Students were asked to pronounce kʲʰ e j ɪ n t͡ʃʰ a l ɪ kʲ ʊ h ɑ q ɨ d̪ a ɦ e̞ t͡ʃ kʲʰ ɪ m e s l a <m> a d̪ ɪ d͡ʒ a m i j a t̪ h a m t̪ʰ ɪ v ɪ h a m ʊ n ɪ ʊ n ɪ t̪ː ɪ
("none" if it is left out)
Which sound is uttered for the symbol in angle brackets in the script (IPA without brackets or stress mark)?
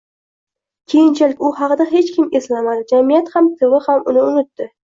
m